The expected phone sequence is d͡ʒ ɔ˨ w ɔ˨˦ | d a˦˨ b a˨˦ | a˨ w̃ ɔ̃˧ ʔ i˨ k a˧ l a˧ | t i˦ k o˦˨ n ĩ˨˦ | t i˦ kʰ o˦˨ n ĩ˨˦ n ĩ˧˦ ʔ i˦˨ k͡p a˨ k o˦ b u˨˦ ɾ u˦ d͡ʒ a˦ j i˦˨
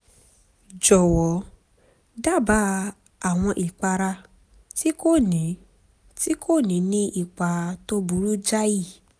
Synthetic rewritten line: d͡ʒ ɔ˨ w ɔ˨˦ | d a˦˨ b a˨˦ | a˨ w̃ ɔ̃˧ ʔ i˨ k͡p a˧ ɾ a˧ | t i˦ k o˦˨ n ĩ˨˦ | t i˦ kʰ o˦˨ n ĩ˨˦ n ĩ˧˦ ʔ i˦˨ k͡p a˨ t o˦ b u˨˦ ɾ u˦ d͡ʒ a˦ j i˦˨